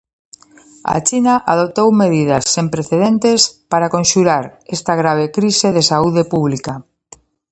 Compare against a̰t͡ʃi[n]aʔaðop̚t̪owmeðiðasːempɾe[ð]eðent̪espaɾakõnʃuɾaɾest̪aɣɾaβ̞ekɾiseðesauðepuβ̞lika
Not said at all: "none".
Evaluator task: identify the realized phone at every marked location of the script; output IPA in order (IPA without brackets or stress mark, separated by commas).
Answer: n, θ